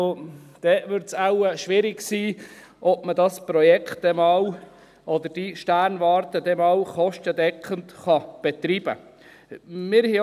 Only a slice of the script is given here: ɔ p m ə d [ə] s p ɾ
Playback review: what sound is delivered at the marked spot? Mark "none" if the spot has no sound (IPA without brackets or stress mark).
ɑ